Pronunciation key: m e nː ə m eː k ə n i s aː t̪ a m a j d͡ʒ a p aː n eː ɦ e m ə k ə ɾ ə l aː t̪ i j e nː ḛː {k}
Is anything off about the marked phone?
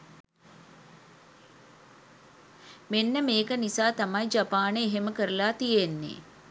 yes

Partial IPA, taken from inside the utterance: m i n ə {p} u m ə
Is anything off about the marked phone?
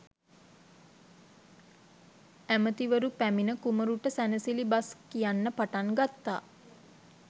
yes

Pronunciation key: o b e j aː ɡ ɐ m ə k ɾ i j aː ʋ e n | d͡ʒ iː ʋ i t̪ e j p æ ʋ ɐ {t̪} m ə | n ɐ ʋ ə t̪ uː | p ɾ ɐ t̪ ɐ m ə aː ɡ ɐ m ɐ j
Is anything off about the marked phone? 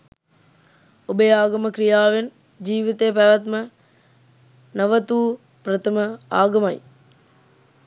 no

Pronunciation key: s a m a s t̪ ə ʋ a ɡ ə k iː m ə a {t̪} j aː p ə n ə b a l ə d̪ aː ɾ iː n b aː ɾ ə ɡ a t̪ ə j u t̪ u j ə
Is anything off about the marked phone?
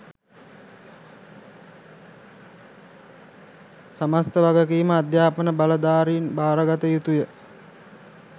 yes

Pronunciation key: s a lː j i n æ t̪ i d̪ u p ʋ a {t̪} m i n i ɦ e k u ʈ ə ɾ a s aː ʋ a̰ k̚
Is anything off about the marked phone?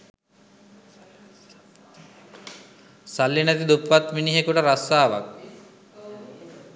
no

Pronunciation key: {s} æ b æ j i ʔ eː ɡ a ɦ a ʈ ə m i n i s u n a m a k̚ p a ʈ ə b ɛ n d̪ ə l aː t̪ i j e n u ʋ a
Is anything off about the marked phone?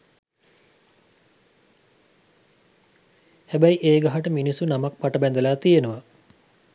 yes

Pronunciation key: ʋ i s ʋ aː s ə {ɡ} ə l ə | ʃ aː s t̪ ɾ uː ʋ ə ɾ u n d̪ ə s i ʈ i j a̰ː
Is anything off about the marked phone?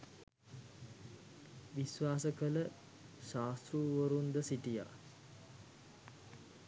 yes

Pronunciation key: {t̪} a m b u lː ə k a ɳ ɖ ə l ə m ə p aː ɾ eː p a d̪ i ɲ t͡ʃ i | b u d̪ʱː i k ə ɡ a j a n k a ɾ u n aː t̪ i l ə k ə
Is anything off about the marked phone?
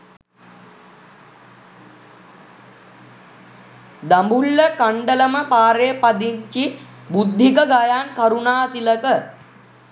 yes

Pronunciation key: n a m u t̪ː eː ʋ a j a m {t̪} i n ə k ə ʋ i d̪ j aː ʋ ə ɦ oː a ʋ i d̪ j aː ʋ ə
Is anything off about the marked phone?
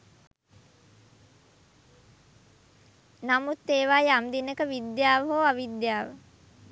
yes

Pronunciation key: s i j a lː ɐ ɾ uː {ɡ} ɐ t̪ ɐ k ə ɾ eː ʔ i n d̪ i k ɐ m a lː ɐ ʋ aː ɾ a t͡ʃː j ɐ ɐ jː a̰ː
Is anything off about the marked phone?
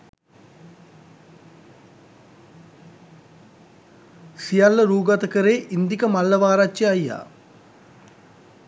no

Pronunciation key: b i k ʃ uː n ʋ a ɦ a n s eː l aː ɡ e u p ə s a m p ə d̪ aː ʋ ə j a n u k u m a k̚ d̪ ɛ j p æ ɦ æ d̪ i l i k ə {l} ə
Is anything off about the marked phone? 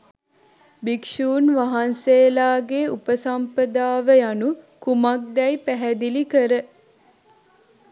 yes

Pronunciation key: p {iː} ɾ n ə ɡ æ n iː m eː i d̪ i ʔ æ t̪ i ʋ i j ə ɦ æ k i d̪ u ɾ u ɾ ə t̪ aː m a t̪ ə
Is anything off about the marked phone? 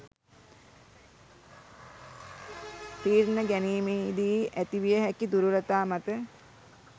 no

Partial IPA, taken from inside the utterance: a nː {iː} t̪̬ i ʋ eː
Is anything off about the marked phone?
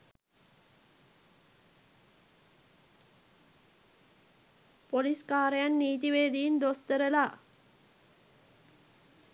no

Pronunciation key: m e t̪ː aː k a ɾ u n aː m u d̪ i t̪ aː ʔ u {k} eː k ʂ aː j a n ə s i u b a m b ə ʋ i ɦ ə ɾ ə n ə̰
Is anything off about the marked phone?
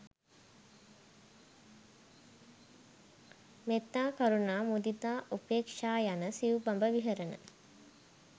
yes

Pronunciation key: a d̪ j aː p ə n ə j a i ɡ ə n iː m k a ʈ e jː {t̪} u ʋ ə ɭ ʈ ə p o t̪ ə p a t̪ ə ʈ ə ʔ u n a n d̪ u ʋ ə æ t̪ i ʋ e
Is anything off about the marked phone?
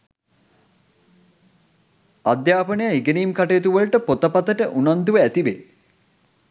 no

